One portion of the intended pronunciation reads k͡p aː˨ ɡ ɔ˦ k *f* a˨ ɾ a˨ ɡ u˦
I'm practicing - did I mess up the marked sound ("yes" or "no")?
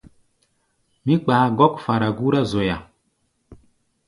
no